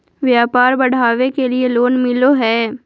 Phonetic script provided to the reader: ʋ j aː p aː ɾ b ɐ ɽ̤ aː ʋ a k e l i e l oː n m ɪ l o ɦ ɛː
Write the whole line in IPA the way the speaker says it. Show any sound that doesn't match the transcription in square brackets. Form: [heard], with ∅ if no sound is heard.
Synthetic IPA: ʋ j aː p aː ɾ b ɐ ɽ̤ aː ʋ [e] k e l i e l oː n m ɪ l o ɦ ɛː